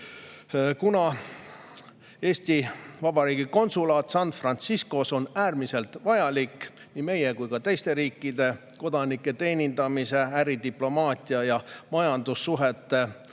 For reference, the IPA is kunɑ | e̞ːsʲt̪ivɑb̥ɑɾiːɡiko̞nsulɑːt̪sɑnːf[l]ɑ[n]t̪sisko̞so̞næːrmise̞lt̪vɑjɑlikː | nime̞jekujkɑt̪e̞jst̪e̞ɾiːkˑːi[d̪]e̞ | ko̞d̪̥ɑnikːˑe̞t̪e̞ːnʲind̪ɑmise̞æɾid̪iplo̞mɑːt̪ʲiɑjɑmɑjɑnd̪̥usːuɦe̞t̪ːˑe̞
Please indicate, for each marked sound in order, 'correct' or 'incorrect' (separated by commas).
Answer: incorrect, correct, correct